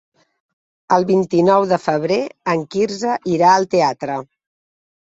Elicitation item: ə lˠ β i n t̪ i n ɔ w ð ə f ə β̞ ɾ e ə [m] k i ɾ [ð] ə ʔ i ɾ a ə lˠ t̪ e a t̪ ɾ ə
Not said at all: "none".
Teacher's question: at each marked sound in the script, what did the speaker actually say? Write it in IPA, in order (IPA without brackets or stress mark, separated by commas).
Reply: ŋ, z